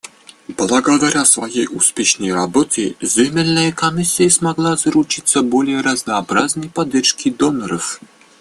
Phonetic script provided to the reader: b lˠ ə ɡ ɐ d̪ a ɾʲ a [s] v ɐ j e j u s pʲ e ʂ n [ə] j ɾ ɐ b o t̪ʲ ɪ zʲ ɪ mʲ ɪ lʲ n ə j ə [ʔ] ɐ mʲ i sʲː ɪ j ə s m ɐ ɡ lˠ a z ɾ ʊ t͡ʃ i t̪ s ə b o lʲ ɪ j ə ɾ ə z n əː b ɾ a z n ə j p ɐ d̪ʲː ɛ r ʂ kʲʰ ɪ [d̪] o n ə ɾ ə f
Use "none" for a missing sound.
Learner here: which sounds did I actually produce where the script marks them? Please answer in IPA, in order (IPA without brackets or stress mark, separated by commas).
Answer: s, ə, k, d̪